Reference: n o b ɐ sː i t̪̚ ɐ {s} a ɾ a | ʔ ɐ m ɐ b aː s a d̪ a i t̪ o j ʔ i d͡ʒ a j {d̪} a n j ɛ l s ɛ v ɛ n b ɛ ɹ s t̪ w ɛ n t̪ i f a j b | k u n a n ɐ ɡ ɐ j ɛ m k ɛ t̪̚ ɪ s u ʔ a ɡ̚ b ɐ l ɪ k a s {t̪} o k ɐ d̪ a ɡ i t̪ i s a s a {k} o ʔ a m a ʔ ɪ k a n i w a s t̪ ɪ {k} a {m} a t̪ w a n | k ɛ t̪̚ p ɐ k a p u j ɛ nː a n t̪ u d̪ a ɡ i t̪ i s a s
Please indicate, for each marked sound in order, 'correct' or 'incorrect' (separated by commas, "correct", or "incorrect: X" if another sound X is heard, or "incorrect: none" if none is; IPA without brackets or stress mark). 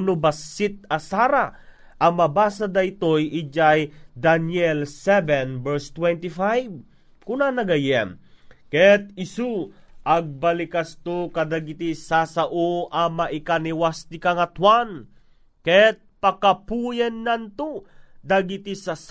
correct, correct, correct, incorrect: ʔ, correct, incorrect: ŋ